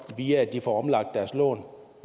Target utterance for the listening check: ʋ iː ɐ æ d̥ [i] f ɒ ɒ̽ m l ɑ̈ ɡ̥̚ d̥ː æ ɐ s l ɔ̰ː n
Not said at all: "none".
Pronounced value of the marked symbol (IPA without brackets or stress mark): i